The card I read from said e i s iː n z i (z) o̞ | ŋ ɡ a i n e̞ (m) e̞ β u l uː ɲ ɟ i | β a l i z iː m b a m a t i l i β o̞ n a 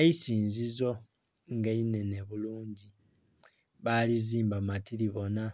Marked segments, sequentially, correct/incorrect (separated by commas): correct, incorrect